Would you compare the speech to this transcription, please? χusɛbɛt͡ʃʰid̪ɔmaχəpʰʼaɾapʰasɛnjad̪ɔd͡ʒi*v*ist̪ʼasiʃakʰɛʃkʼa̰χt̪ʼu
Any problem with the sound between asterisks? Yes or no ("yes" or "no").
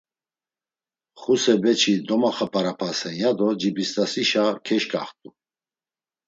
yes